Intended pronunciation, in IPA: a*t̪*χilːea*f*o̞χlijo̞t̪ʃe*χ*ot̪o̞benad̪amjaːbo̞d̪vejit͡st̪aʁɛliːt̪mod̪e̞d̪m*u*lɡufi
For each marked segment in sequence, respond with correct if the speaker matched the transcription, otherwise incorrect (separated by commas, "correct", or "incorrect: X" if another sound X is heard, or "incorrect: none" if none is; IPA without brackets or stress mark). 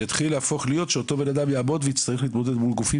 correct, correct, incorrect: none, correct